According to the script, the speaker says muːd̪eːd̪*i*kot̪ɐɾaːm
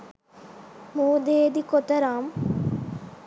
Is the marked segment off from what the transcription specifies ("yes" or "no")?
no